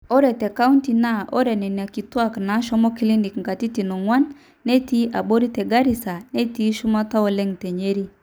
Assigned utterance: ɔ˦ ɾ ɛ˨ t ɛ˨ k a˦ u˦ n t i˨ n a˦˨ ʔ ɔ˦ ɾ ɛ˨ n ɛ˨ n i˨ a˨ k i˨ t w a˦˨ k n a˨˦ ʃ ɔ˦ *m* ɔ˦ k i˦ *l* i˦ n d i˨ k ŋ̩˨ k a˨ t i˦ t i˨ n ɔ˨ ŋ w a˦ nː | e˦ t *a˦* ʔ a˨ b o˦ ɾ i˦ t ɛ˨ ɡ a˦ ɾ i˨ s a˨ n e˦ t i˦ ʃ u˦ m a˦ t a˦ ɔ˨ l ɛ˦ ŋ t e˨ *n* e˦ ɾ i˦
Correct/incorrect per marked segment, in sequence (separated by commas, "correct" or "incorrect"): correct, correct, incorrect, incorrect